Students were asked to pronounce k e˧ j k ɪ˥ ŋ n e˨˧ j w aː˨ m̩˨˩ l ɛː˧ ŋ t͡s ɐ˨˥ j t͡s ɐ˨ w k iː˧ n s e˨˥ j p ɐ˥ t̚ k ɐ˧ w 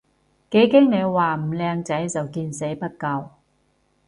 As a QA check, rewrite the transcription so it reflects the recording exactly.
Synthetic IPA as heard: k e˨˥ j k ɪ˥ ŋ n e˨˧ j w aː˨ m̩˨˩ l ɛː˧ ŋ t͡s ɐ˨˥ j t͡s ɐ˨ w k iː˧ n s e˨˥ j p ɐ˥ t̚ k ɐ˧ w